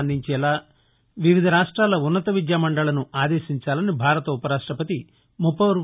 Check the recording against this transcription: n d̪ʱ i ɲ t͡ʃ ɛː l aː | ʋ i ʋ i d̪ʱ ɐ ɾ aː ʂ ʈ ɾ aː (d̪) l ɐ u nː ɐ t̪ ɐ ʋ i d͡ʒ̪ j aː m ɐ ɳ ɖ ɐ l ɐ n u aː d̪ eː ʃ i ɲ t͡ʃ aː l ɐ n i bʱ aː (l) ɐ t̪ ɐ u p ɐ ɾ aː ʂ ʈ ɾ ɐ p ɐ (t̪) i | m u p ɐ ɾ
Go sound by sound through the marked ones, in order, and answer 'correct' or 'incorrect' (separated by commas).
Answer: incorrect, incorrect, correct